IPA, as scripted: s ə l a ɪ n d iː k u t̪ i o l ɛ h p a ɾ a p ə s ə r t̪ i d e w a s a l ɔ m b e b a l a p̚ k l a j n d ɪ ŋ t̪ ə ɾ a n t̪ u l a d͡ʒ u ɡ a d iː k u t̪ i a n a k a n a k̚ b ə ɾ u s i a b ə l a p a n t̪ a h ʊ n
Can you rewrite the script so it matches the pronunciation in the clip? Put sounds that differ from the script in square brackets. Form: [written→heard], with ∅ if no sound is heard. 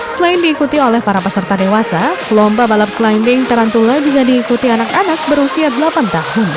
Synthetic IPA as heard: s ə l a ɪ n d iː k u t̪ i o l ɛ h p a ɾ a p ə s ə r t̪ [i→a] d e w a s a l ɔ m b [e→a] b a l a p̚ k l a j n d ɪ ŋ t̪ ə ɾ a n t̪ u l a d͡ʒ u ɡ a d iː k u t̪ i a n a k a n a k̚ b ə ɾ u s i a [b→d] ə l a p a n t̪ a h ʊ n